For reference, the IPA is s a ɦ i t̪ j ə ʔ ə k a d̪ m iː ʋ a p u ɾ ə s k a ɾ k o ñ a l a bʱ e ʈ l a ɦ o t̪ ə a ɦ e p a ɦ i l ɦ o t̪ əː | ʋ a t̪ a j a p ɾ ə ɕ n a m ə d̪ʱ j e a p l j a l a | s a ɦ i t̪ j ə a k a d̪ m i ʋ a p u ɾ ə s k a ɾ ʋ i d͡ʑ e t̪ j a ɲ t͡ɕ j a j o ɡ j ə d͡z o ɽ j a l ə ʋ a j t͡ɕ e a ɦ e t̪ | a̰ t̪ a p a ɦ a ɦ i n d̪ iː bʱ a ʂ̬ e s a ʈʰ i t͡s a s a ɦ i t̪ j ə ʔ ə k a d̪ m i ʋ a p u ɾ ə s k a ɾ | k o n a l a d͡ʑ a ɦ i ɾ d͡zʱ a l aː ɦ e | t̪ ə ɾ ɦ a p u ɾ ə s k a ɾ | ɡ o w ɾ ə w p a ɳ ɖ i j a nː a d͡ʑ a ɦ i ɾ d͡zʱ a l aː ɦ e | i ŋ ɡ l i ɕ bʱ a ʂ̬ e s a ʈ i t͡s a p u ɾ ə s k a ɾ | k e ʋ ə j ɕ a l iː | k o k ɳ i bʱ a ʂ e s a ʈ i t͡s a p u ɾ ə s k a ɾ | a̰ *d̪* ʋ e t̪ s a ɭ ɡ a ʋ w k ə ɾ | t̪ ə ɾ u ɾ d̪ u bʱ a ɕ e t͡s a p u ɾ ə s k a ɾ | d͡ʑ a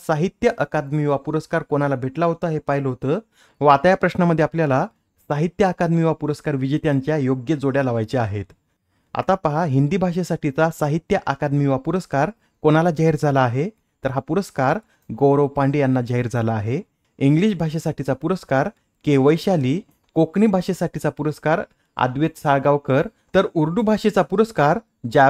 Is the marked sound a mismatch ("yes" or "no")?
no